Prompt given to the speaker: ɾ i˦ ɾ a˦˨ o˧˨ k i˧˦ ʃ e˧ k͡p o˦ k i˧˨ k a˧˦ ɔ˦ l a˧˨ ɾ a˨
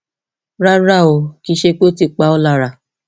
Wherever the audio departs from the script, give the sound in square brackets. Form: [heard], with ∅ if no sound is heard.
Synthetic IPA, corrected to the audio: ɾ [a˦] ɾ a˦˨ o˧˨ k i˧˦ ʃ e˧ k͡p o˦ [t] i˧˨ [k͡p] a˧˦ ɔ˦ l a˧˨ ɾ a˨